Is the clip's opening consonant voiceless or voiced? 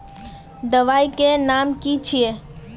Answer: voiced